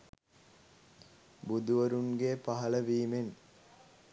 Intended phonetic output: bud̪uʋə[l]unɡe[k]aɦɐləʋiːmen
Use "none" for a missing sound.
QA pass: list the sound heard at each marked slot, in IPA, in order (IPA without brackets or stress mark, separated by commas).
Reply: ɾ, p